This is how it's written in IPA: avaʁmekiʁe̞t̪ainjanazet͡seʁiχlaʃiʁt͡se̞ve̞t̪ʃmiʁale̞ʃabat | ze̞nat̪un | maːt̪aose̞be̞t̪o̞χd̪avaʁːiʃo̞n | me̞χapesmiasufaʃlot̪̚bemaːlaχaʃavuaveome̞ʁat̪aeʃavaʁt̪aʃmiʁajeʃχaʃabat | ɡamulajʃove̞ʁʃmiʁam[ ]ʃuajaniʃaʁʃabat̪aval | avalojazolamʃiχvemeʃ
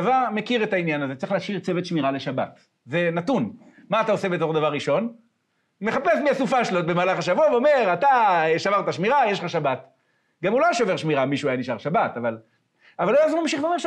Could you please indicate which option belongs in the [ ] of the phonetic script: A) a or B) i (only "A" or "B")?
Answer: B